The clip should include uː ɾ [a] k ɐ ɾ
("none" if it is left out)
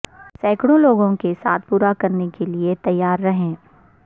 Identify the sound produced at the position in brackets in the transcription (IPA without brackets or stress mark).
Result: a